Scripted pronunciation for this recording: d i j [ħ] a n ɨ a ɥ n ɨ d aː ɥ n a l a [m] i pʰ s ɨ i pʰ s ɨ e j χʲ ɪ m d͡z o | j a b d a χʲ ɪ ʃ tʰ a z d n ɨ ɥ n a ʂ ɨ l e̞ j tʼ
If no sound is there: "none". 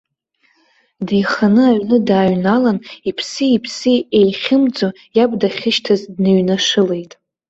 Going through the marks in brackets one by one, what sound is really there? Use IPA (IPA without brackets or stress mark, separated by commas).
χ, n